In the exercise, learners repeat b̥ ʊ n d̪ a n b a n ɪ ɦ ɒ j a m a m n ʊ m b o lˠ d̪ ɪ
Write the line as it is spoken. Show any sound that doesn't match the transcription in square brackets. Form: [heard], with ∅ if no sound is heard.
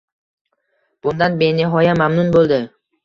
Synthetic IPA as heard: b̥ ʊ n d̪ a n b [e] n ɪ ɦ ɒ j a m a m n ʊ [n] b o lˠ d̪ ɪ

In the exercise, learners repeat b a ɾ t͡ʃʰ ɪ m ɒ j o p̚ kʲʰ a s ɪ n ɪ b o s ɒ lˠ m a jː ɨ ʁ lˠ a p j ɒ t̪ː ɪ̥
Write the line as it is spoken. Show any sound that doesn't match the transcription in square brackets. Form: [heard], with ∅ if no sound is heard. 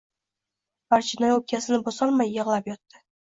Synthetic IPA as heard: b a ɾ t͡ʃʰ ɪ [n] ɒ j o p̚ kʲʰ a s ɪ n ɪ b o s ɒ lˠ m a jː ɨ ʁ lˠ a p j ɒ t̪ː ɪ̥

